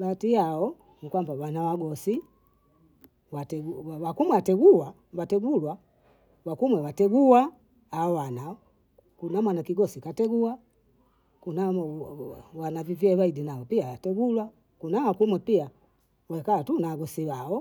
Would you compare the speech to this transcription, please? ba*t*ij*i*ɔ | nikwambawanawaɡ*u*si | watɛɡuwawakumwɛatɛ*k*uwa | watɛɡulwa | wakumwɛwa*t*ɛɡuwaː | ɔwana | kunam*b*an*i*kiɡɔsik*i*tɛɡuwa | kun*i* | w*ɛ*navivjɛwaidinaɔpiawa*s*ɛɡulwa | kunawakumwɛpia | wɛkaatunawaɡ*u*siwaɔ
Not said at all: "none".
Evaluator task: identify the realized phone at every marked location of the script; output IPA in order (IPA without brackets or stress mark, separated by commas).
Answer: t, a, ɔ, ɡ, t, w, a, a, a, a, t, ɔ